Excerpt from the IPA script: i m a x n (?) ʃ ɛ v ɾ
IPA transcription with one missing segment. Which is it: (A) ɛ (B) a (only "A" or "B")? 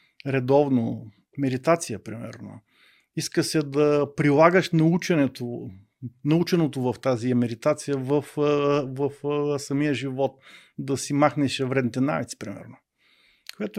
A